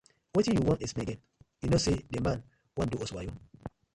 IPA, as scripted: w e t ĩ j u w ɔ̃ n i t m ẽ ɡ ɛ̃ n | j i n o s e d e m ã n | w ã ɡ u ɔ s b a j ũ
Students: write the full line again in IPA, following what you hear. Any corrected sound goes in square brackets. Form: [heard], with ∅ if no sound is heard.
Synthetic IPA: w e t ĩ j u w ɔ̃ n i [s] m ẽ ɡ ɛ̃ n | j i n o s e d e m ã n | w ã [d] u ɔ s [w] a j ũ